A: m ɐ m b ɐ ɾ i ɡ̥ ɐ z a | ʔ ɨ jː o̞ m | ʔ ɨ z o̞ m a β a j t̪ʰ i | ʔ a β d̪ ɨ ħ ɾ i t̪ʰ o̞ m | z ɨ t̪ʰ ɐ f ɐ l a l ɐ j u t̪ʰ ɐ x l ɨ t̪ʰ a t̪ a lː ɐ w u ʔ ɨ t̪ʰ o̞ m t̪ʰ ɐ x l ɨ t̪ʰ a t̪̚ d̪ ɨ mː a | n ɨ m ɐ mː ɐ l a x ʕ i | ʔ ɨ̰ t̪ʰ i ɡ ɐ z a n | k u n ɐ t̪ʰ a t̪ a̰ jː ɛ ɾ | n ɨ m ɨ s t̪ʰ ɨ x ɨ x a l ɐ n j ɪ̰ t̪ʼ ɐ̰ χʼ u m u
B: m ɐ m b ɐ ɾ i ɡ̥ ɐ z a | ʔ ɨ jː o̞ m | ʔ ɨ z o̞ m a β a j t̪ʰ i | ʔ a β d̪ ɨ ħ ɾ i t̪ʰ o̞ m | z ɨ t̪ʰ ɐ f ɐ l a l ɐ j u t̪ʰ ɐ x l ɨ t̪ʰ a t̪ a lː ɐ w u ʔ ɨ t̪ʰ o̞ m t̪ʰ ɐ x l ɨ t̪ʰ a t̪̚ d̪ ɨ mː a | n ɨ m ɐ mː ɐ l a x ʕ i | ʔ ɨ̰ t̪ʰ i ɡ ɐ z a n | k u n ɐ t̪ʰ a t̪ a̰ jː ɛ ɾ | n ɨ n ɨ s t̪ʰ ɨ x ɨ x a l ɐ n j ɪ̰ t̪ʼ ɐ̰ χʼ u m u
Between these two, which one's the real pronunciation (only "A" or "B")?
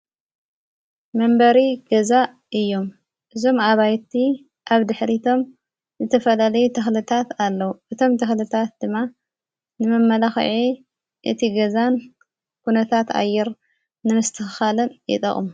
A